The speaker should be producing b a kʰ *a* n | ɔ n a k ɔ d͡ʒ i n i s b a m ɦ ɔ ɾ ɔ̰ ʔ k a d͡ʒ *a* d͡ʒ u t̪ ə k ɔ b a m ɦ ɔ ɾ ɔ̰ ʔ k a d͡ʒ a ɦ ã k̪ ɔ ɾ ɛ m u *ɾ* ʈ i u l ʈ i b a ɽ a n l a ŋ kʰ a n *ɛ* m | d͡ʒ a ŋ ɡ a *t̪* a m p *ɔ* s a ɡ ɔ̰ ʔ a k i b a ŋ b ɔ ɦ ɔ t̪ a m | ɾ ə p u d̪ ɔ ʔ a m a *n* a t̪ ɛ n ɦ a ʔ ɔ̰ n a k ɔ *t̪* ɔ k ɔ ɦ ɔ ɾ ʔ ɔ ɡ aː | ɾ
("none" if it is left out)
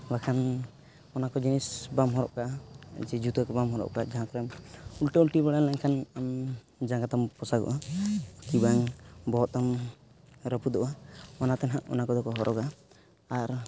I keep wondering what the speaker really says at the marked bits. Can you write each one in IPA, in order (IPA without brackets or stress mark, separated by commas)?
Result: a, ɛ, l, a, t̪, ɔ, n, d̪